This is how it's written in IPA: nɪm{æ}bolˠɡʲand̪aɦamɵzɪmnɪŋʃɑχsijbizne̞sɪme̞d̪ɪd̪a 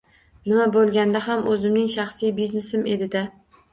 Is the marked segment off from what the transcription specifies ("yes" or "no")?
yes